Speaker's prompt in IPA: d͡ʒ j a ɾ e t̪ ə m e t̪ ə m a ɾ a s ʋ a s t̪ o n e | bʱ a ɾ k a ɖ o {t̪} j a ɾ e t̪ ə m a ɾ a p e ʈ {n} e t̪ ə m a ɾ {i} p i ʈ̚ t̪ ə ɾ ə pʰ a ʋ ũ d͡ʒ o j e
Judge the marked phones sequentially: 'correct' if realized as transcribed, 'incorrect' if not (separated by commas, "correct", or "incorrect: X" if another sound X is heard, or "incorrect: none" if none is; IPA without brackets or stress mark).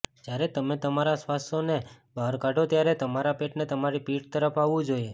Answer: correct, correct, correct